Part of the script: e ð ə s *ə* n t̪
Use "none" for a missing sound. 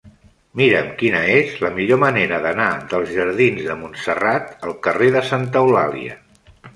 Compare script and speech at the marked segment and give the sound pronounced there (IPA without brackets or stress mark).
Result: a